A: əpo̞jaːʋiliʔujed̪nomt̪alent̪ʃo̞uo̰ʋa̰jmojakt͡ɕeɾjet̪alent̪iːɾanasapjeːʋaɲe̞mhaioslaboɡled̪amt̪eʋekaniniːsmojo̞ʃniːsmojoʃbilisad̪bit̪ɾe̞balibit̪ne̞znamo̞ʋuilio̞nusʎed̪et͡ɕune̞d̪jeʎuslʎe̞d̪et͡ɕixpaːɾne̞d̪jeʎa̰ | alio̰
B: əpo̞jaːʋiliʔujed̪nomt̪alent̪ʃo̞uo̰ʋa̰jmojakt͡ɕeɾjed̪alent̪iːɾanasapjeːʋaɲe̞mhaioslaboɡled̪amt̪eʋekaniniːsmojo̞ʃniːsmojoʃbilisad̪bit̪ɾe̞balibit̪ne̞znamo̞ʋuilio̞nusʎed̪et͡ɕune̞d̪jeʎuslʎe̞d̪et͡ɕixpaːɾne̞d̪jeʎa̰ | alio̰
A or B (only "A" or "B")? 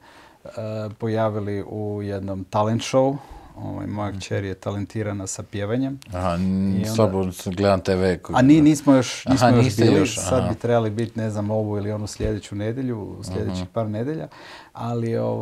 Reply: A